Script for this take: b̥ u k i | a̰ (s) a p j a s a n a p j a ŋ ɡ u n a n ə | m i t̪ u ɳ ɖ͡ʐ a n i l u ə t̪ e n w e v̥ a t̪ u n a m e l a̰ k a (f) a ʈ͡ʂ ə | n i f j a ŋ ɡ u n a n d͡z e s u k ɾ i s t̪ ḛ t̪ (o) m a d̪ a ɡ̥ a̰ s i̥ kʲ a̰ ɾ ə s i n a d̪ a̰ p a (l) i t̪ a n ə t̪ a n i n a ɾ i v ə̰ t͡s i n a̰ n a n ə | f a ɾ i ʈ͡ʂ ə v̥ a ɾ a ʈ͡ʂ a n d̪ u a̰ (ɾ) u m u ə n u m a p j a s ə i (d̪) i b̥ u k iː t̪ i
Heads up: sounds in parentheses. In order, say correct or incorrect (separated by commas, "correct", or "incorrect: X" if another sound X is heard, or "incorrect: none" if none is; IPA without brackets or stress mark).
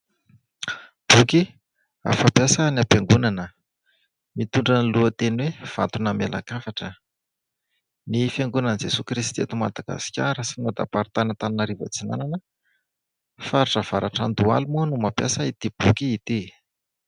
incorrect: f, correct, incorrect: u, incorrect: ɾ, incorrect: l, incorrect: t̪